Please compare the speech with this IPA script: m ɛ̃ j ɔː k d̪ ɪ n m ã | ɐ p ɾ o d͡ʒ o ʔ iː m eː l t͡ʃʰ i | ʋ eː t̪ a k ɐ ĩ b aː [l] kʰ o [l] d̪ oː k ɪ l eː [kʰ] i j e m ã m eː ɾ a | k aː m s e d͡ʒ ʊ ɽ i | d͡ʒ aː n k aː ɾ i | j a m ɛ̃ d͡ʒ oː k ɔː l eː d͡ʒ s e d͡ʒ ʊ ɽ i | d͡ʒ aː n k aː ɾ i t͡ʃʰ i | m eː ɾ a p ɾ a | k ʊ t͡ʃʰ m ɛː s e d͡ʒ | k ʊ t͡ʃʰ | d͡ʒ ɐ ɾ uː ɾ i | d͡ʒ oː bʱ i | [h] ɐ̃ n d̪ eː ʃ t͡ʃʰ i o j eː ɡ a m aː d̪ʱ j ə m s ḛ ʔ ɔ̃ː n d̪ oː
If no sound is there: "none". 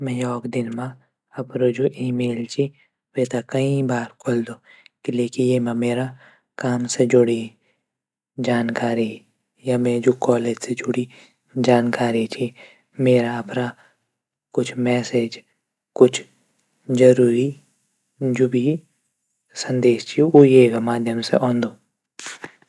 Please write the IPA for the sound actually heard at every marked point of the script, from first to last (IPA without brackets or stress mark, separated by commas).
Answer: ɾ, l, k, s